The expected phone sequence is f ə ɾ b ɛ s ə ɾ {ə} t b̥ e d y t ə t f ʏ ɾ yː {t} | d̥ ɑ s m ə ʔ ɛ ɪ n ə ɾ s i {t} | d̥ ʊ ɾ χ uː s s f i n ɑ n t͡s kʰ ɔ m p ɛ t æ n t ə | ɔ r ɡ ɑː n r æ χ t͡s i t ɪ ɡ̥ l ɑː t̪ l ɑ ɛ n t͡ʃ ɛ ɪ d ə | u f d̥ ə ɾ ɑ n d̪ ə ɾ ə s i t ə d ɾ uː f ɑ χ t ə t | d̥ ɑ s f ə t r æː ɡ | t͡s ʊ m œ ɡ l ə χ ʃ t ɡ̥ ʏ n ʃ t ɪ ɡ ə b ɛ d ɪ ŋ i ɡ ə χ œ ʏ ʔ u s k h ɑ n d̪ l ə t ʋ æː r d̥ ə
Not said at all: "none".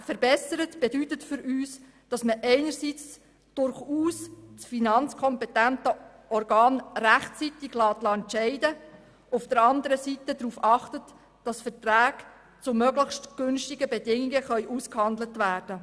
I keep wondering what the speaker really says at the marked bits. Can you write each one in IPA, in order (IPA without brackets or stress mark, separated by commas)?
ə, s, t͡s